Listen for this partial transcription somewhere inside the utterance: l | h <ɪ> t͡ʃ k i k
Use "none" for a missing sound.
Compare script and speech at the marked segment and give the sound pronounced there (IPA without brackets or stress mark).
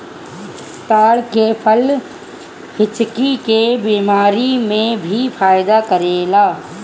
ɪ